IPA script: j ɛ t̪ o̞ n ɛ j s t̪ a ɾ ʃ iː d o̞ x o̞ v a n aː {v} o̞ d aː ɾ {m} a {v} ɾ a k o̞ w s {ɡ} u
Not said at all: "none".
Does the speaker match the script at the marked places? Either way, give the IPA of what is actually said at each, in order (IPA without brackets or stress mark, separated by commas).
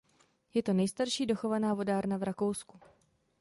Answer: v, n, v, k